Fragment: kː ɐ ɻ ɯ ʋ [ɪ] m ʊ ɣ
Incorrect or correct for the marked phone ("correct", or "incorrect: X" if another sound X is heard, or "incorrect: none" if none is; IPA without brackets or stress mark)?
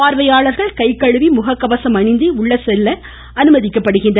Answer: incorrect: i